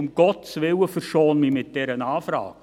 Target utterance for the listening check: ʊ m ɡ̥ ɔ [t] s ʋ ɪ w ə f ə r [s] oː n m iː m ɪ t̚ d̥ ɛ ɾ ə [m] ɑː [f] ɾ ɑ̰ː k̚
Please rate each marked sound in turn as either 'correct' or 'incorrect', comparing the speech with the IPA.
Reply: correct, incorrect: ʃ, incorrect: n, correct

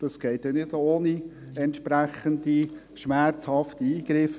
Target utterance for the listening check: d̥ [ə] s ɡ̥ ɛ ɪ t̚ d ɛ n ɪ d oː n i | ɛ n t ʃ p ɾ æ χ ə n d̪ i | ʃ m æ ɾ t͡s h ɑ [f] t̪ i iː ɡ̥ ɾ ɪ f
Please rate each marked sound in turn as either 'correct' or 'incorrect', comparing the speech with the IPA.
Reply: incorrect: ɑ, correct

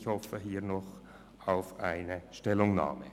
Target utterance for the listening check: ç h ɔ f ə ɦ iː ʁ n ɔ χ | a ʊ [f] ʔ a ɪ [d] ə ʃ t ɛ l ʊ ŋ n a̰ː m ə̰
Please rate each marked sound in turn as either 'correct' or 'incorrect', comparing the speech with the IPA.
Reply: correct, incorrect: n

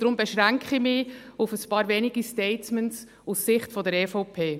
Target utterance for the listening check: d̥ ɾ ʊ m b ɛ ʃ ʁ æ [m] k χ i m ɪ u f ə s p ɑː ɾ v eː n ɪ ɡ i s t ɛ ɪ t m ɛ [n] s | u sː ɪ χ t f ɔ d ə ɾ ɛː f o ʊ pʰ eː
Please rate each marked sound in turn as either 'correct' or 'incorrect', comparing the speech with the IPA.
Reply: incorrect: ŋ, correct

